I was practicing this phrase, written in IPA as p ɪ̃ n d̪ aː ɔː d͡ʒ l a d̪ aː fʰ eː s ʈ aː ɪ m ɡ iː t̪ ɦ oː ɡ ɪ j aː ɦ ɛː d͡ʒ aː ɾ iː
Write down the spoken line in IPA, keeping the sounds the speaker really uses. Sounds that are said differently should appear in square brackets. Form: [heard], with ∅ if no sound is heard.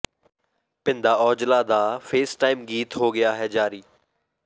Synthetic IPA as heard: p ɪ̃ n d̪ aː ɔː d͡ʒ l a d̪ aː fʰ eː s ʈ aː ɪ m ɡ iː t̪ ɦ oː ɡ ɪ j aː ɦ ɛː d͡ʒ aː ɾ iː